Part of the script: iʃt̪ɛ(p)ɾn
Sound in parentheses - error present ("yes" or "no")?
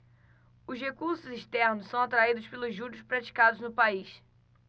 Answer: yes